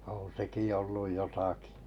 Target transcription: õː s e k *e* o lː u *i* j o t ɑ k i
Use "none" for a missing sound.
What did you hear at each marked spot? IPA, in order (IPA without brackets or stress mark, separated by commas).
i, j